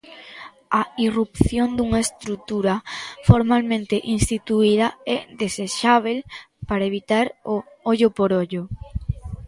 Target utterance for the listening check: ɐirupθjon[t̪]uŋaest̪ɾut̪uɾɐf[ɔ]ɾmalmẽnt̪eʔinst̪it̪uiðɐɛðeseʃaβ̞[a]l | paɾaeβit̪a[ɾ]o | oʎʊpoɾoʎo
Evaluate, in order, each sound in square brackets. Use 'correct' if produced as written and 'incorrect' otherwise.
incorrect, incorrect, incorrect, correct

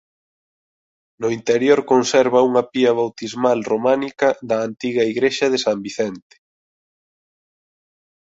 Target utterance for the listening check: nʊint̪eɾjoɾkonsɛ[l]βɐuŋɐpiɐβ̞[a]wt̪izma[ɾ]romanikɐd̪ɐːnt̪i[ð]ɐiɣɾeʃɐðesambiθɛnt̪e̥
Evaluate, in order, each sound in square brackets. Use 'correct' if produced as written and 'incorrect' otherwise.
incorrect, correct, incorrect, incorrect

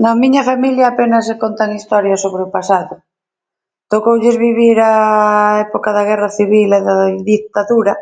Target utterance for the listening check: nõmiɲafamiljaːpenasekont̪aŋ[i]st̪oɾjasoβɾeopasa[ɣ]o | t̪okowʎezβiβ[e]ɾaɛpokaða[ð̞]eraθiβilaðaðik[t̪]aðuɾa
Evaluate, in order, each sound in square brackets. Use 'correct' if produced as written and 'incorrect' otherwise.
correct, incorrect, incorrect, incorrect, correct

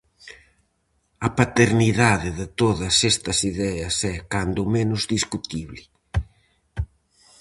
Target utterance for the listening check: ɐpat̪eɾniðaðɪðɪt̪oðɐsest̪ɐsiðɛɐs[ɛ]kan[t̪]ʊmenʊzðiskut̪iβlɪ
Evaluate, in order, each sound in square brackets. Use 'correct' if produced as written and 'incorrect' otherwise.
correct, incorrect

